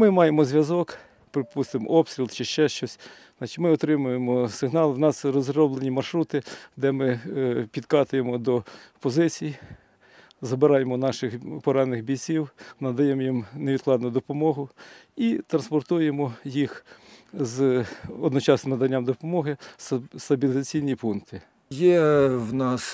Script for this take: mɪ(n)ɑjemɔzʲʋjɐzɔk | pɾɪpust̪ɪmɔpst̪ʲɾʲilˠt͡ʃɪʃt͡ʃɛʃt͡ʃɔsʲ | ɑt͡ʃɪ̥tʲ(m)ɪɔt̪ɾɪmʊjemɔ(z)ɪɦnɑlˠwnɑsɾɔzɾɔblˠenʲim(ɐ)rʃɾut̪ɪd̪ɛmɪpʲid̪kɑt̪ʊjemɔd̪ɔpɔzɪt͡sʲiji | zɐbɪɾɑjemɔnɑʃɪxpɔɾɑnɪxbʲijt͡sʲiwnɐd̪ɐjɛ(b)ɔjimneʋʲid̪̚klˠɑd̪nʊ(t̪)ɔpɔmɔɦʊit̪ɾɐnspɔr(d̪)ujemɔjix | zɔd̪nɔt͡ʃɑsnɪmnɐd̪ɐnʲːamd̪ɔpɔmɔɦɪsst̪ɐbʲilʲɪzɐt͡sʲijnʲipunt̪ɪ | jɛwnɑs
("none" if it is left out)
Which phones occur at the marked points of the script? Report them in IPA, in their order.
m, m, s, ɐ, m, d̪, t̪

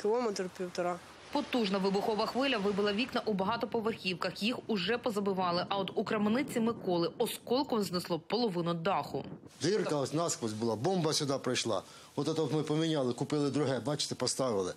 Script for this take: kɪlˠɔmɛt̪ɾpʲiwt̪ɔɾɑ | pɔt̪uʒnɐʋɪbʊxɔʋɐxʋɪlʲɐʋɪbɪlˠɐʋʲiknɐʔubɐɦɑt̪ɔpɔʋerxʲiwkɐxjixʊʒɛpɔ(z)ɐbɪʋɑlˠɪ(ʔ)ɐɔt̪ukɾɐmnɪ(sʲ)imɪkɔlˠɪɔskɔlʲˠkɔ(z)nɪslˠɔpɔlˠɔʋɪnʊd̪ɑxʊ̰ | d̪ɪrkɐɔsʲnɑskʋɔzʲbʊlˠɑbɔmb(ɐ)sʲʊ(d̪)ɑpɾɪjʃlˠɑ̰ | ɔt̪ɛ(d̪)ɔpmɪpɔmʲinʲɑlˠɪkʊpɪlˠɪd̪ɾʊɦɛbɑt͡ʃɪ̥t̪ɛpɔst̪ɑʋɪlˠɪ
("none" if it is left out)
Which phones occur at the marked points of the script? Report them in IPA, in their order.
z, ʔ, t͡sʲ, z, ɐ, d̪, t̪

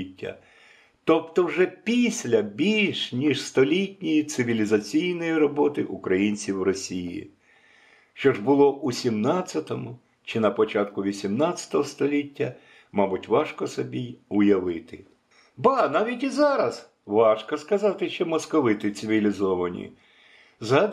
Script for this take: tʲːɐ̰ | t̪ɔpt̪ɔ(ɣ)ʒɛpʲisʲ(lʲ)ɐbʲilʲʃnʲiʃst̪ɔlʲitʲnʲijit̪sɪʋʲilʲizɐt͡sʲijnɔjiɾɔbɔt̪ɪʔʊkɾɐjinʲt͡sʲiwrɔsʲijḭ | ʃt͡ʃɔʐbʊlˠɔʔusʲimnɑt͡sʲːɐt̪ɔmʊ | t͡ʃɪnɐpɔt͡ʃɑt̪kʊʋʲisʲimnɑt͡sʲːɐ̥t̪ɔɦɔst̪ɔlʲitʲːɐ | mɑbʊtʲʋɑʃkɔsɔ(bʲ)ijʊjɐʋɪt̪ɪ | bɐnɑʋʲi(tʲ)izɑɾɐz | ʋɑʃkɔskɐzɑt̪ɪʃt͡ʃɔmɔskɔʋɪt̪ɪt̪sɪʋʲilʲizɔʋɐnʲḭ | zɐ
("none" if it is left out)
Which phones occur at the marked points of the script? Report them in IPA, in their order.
w, lʲ, bʲ, tʲ

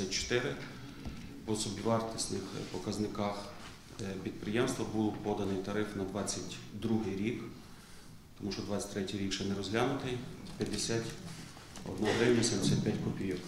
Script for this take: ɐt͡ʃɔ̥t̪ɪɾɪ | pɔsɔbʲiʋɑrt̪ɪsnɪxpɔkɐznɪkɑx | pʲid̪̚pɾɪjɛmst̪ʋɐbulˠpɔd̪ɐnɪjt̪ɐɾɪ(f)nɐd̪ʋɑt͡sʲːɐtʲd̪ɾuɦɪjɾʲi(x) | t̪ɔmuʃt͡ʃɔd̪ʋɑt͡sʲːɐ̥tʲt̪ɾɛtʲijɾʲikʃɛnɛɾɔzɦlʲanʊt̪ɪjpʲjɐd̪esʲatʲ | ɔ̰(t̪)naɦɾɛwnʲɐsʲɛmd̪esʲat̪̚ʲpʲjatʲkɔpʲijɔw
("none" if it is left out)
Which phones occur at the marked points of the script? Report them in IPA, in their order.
f, k, d̪

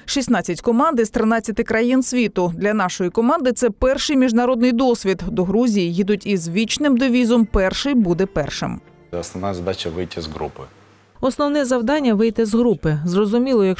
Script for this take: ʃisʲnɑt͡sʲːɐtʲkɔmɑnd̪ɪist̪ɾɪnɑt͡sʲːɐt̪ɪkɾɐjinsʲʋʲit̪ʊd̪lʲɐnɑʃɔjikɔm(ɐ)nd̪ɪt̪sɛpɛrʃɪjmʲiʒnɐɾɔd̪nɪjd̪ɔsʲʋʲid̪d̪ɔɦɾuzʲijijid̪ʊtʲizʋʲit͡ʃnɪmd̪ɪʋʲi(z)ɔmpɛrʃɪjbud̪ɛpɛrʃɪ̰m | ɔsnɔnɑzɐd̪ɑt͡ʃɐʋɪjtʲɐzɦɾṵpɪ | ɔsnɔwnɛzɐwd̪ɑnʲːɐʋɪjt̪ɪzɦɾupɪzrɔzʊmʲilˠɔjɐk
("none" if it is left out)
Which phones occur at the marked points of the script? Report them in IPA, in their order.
ɑ, z

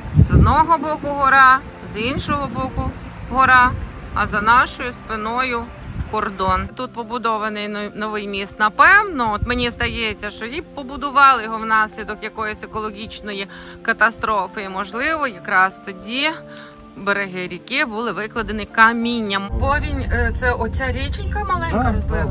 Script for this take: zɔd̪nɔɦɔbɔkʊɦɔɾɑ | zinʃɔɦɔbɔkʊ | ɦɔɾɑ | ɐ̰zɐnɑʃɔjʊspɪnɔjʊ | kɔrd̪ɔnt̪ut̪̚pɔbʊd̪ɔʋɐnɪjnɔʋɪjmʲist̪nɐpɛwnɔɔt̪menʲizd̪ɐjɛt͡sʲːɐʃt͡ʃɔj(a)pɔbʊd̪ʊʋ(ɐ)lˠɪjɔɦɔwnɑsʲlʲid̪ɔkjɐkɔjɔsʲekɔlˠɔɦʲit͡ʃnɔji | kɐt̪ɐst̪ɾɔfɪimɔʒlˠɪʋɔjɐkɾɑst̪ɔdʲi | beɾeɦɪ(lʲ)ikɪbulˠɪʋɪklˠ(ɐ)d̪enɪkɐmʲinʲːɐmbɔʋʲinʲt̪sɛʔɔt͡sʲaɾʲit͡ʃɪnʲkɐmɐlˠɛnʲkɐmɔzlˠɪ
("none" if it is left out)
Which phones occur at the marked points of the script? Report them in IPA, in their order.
i, ɑ, ɾʲ, ɐ

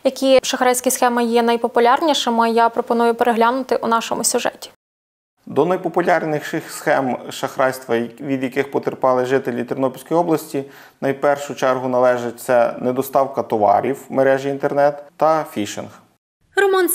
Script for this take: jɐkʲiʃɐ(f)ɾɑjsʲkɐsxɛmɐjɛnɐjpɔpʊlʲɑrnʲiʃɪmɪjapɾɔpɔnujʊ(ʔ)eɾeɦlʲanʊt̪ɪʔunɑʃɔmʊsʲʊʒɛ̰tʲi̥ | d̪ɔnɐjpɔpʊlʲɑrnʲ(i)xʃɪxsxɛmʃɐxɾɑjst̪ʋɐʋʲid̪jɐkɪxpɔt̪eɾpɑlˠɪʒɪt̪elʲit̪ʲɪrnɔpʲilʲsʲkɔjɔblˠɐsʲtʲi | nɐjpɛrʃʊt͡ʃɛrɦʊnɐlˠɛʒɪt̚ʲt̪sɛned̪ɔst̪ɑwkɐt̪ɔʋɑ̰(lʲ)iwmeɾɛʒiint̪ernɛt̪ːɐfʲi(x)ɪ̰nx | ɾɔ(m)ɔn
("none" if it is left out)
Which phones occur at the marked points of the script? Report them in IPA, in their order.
x, p, ɪ, ɾʲ, ʃ, m

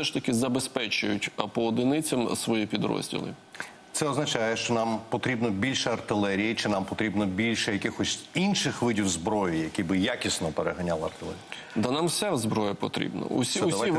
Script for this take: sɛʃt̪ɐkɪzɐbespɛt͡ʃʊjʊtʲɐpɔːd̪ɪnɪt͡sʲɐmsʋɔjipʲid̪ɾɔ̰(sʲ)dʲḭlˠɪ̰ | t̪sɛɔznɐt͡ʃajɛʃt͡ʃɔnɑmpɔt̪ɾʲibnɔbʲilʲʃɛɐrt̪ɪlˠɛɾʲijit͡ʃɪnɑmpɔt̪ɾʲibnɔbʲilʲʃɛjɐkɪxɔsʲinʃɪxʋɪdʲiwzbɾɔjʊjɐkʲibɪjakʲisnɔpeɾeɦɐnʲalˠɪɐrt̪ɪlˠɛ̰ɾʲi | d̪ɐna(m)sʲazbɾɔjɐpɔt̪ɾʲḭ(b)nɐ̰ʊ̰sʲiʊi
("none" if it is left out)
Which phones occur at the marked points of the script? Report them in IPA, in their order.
zʲ, m, b

